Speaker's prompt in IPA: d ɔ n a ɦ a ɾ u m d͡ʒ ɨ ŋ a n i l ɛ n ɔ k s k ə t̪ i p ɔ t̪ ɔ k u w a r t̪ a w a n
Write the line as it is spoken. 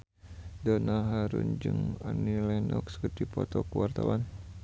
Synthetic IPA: d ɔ n a ɦ a ɾ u n d͡ʒ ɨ ŋ a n i l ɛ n ɔ k s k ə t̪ i p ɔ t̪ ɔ k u w a r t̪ a w a n